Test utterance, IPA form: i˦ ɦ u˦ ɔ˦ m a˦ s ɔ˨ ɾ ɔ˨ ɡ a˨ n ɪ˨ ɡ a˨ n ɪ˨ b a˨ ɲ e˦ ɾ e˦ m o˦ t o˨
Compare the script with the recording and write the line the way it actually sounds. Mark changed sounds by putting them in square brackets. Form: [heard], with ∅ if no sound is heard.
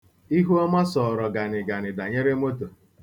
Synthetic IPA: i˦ ɦ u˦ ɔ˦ m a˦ s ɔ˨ ɾ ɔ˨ ɡ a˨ n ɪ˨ ɡ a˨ n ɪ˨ [d] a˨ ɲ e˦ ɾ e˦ m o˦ t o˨